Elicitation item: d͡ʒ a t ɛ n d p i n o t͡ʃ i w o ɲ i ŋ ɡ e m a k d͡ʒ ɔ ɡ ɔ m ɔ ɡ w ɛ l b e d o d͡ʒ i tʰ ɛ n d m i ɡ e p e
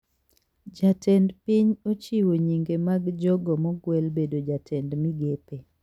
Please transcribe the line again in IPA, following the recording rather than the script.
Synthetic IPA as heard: d͡ʒ a t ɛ n d p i ɲ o t͡ʃ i w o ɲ i ŋ ɡ e m a ɡ d͡ʒ ɔ ɡ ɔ m ɔ ɡ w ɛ l b e d o d͡ʒ a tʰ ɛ n d m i ɡ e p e